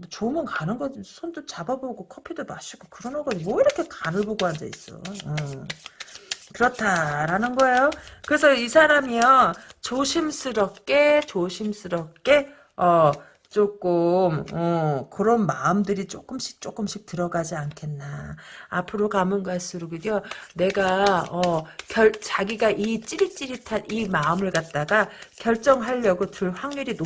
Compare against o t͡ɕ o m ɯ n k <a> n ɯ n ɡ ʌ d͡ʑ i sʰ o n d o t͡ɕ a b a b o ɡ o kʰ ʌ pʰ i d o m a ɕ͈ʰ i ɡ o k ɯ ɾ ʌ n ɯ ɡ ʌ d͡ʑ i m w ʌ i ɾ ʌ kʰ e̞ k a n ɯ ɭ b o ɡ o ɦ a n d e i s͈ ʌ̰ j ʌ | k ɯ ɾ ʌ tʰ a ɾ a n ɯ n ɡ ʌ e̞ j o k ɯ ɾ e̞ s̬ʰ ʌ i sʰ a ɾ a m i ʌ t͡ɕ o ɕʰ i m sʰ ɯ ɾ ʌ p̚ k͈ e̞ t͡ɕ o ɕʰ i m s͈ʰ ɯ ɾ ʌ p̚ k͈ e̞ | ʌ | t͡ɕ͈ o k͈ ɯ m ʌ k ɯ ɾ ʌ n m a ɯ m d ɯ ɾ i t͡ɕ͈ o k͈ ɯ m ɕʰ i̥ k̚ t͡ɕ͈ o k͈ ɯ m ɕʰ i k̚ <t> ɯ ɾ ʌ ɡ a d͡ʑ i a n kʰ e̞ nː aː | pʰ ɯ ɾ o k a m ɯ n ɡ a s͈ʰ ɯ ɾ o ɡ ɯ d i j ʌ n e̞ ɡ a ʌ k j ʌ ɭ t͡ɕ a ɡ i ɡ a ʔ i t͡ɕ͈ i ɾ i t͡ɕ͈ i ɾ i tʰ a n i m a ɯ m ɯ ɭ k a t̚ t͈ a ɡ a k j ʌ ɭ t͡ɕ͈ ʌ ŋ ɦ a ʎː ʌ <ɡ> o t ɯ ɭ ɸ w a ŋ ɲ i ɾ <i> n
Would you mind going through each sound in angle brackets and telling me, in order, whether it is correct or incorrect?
correct, correct, correct, correct

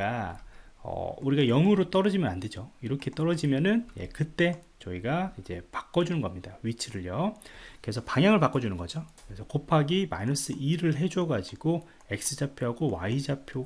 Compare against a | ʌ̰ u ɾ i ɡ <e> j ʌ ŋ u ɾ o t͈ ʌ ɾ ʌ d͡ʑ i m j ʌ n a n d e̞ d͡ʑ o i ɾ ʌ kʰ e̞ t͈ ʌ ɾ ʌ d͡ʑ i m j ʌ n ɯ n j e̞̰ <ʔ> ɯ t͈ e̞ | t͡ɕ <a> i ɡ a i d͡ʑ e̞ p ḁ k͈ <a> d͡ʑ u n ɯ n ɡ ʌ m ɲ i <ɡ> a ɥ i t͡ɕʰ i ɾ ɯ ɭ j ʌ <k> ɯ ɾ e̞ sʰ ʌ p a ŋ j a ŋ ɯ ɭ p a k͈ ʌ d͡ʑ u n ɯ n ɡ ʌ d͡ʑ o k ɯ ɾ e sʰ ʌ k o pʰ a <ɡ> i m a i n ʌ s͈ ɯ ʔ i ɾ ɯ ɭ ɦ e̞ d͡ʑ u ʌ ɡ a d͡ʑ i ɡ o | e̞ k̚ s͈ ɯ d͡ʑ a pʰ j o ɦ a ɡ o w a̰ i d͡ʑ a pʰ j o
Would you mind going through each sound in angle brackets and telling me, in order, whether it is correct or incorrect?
incorrect: a, incorrect: k, incorrect: ʌ, incorrect: ʌ, incorrect: d, correct, correct

